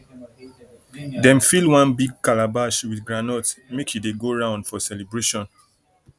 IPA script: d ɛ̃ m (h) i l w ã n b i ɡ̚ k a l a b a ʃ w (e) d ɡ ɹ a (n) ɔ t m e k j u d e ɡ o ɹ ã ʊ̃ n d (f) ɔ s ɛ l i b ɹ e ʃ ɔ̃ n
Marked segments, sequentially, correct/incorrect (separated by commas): incorrect, incorrect, correct, correct